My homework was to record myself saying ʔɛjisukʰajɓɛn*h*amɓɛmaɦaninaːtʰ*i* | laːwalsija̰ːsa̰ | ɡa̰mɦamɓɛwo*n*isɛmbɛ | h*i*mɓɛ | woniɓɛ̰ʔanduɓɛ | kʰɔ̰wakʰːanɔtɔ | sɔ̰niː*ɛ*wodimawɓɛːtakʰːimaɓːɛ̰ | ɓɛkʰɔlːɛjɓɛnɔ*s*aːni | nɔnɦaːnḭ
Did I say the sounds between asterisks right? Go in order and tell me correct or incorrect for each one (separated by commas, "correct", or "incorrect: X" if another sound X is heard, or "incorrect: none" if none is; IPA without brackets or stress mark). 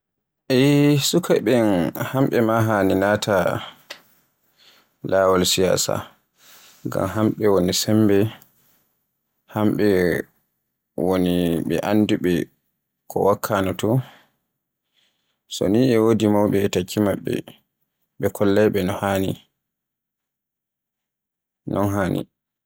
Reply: correct, incorrect: a, correct, incorrect: a, correct, incorrect: h